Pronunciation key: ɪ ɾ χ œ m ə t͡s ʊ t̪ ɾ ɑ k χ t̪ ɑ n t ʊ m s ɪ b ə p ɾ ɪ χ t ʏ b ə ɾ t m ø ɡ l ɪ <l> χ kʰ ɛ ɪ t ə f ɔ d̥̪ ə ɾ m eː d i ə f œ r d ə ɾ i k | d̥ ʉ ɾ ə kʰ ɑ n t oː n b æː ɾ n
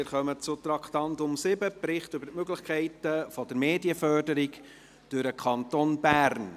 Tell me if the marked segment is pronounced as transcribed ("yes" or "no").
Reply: no